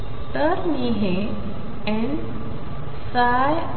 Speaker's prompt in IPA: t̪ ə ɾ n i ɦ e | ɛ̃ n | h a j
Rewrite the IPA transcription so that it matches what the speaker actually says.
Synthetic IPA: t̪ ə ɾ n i ɦ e | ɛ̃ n | s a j